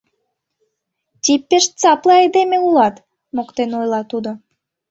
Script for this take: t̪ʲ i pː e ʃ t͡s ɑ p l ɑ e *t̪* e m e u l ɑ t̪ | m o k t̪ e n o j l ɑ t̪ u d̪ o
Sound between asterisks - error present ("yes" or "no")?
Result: yes